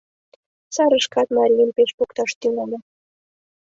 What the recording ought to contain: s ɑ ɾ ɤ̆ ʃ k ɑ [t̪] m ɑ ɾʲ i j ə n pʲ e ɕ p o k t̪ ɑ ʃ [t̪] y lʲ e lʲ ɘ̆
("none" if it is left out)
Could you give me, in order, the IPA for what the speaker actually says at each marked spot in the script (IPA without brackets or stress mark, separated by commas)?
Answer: t̪, t̪